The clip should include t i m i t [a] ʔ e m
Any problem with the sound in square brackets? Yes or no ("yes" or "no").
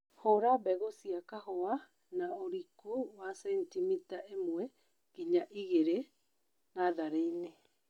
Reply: no